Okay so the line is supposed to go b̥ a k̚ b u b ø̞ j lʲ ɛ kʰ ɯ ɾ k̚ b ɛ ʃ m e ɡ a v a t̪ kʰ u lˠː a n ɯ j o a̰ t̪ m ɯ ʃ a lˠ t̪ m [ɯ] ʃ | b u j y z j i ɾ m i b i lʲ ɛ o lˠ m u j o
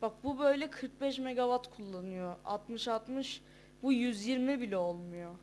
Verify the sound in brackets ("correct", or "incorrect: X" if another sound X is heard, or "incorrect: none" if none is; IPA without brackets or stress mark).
correct